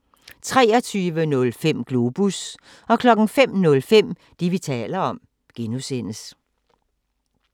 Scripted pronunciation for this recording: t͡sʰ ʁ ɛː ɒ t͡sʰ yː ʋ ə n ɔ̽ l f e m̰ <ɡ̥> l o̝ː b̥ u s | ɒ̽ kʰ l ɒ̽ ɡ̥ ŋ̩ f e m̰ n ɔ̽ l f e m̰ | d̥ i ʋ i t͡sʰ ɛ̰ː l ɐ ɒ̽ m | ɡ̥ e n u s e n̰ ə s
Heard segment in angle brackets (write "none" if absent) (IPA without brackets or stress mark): ɡ̥